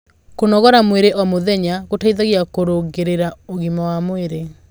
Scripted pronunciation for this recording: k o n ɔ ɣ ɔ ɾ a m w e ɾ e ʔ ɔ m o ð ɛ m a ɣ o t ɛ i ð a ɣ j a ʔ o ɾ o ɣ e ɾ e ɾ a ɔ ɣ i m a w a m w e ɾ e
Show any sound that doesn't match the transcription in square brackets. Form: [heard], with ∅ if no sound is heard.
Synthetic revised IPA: k o n ɔ ɣ ɔ ɾ a m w e ɾ e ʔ ɔ m o ð ɛ [ɲ] a ɣ o t [a] i ð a ɣ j a [k] o ɾ o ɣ e ɾ e ɾ a [o] ɣ i m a w a m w e ɾ e

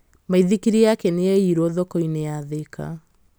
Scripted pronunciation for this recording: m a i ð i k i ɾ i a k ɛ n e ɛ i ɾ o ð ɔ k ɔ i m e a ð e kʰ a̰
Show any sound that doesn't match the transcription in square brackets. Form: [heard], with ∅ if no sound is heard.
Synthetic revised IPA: m a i ð i k i ɾ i a k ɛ n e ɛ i ɾ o ð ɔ k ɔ i [n] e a ð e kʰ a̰

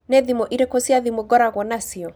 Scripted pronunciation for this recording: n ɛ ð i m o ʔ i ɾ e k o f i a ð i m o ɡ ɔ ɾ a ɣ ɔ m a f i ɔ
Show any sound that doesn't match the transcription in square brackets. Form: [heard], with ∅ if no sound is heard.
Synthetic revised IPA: n ɛ ð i m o ʔ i ɾ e k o [s] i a ð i m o ɡ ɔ ɾ a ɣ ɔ [n] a [s] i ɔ

